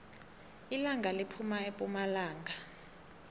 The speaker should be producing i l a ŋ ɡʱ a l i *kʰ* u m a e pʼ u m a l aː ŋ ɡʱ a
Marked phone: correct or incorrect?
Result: incorrect